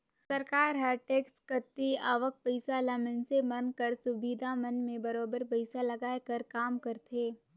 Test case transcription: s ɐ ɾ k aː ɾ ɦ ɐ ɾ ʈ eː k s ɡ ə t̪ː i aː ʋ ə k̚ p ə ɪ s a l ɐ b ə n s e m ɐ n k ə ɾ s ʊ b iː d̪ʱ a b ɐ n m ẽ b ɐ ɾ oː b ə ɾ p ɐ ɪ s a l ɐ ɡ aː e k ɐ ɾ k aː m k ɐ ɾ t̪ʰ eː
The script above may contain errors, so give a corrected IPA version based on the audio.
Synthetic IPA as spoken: s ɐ ɾ k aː ɾ ɦ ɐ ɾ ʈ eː k s k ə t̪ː i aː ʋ ə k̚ p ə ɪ s a l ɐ m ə n s e m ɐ n k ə ɾ s ʊ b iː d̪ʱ a m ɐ n m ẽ b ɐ ɾ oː b ə ɾ p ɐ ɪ s a l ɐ ɡ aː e k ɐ ɾ k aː m k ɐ ɾ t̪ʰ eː